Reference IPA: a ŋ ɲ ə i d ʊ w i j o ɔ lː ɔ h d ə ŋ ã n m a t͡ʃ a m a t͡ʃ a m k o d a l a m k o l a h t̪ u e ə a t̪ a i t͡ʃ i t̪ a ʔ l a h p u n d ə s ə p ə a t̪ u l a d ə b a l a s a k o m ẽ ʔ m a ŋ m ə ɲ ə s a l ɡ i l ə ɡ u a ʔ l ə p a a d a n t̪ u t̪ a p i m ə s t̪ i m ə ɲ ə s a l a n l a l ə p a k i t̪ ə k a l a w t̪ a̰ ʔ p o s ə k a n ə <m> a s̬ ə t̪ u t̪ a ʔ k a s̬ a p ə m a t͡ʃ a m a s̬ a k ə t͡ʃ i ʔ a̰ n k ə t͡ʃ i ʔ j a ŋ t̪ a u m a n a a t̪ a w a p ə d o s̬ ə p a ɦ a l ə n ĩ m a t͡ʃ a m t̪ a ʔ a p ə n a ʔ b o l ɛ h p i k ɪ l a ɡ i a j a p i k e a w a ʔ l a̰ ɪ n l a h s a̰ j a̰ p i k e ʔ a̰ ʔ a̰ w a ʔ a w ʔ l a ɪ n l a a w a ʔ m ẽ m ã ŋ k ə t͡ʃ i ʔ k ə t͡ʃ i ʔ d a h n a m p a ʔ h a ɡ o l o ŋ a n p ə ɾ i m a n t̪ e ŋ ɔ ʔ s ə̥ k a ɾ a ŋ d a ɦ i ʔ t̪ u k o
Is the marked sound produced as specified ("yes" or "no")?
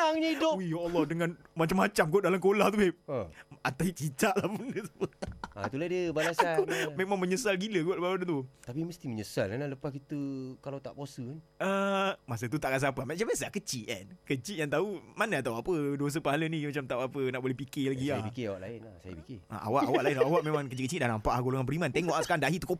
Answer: yes